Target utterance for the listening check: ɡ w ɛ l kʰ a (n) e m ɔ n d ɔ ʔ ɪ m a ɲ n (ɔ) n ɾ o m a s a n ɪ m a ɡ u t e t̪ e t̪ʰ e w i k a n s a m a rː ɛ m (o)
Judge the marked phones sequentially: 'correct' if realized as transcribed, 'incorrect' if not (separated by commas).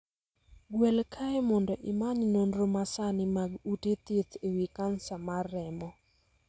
incorrect, incorrect, incorrect